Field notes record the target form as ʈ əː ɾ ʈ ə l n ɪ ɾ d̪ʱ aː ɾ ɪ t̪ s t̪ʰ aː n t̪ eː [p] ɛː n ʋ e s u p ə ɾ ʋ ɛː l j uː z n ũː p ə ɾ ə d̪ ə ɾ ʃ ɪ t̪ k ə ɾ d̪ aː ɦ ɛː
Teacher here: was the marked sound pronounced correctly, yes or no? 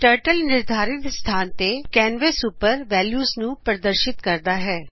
no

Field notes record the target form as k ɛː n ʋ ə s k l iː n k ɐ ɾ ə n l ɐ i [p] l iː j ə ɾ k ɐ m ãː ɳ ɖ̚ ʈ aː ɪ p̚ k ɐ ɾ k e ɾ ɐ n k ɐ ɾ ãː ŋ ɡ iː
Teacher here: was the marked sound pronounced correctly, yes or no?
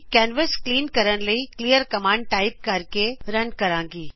no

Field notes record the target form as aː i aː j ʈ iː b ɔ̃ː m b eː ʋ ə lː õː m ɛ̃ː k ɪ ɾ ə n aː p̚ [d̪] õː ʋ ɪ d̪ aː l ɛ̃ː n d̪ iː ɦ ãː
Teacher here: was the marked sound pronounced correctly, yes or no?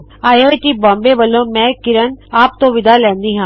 no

